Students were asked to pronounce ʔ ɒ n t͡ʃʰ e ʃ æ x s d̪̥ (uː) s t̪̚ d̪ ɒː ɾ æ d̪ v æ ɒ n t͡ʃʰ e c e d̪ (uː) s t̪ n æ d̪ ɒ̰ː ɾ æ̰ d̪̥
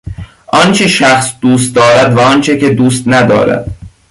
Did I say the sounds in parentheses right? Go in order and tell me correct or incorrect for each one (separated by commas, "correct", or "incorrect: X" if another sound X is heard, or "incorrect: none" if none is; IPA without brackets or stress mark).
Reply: correct, correct